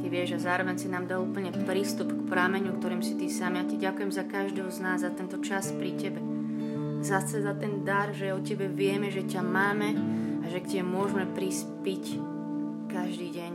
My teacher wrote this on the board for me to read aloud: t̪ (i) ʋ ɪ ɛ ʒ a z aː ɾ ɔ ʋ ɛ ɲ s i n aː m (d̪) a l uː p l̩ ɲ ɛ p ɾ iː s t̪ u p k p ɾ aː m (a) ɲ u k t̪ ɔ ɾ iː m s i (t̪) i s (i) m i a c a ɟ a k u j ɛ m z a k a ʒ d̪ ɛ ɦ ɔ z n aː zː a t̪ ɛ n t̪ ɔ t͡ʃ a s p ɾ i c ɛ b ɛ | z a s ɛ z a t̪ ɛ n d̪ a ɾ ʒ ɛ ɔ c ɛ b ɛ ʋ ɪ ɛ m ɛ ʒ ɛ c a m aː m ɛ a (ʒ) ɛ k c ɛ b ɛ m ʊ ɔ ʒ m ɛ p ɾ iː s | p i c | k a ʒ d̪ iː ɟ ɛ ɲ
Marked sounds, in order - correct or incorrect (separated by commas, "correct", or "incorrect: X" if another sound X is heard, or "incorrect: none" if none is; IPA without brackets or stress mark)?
correct, correct, incorrect: ɛ, correct, incorrect: a, correct